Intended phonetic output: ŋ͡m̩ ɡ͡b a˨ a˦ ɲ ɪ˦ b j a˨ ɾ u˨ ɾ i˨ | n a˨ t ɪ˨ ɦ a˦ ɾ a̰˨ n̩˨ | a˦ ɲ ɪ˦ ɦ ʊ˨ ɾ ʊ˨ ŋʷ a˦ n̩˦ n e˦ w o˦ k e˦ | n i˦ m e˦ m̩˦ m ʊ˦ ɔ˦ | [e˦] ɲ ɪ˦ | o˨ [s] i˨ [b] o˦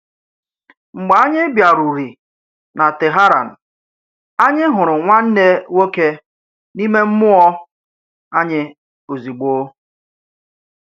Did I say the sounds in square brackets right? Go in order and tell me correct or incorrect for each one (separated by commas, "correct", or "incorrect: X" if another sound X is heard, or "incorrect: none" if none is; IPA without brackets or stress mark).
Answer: incorrect: a˦, incorrect: z, incorrect: ɡ͡b